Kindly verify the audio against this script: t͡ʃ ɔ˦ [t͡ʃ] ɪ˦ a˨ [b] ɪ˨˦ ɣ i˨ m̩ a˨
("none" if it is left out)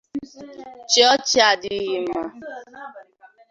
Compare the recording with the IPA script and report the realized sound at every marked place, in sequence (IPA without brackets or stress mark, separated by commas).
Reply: t͡ʃ, d